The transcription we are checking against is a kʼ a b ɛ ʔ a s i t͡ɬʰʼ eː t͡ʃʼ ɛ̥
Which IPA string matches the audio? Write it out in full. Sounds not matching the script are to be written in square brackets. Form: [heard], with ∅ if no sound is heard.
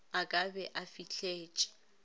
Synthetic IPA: a kʼ a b ɛ ʔ a [f] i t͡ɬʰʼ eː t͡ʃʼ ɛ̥